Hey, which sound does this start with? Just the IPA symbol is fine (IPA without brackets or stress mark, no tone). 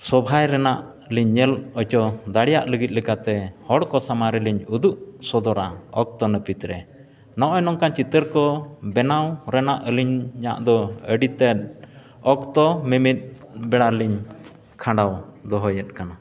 s